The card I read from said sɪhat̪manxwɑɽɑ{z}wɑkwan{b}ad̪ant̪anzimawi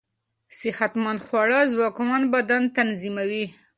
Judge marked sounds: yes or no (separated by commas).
yes, yes